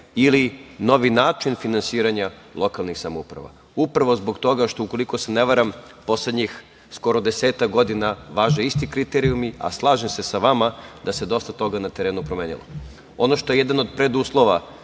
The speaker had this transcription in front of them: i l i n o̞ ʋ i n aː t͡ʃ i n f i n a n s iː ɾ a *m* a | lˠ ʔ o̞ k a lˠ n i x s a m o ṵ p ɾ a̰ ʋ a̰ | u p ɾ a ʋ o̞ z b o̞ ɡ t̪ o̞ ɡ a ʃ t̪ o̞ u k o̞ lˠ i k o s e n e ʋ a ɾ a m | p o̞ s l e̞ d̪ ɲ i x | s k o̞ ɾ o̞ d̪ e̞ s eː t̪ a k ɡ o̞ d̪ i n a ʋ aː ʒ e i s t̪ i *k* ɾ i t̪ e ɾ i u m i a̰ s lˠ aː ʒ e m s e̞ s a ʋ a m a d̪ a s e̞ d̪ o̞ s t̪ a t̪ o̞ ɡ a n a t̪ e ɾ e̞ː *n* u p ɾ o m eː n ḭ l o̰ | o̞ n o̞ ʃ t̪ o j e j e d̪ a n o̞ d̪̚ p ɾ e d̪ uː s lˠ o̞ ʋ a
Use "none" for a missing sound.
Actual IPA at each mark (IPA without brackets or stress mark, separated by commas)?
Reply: ɲ, k, n